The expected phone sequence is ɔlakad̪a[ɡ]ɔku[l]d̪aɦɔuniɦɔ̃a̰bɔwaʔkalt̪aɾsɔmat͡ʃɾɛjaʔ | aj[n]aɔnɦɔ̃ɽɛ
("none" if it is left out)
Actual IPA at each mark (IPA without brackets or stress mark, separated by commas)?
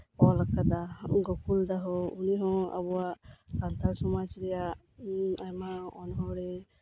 ɡ, l, m